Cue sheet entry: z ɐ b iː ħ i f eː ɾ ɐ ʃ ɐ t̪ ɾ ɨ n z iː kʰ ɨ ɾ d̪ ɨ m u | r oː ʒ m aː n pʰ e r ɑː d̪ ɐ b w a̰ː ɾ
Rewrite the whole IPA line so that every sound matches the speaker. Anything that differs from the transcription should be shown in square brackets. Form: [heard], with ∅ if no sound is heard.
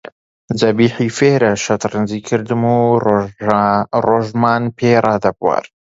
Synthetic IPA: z ɐ b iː ħ i f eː ɾ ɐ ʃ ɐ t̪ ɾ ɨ n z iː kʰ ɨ ɾ d̪ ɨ m u | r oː ʒ m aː n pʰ e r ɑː d̪ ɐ b w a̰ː ɾ